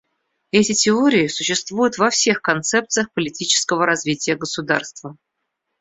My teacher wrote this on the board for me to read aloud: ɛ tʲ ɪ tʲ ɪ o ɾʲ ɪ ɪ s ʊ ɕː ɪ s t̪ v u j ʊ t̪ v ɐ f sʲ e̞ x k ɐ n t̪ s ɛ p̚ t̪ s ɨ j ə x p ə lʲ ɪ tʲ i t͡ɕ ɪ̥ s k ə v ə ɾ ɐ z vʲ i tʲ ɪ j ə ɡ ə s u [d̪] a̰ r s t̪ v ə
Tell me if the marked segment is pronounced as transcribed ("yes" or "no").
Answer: yes